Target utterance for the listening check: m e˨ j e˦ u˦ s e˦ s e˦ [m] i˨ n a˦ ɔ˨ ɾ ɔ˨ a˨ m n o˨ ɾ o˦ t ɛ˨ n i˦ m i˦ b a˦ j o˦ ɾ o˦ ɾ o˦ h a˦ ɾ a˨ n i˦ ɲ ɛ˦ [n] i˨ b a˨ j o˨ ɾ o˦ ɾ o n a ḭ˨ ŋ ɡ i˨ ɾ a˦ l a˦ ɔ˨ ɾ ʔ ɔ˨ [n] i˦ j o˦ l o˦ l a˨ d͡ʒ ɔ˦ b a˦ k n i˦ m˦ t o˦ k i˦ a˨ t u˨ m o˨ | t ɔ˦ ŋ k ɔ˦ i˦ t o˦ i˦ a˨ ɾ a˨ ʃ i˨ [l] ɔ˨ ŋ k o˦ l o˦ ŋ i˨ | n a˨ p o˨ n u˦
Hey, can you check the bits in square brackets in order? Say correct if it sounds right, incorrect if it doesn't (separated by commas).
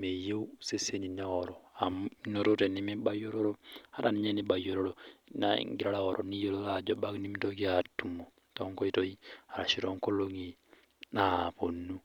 incorrect, correct, correct, incorrect